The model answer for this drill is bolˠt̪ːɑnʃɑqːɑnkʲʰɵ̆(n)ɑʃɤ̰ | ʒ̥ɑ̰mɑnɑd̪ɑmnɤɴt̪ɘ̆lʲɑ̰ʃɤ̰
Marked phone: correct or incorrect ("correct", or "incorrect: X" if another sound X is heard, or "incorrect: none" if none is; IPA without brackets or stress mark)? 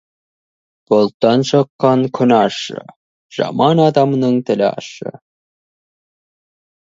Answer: correct